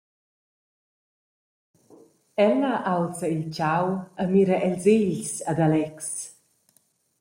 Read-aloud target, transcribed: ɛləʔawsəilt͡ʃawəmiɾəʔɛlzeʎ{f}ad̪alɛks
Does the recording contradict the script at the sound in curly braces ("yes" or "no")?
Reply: yes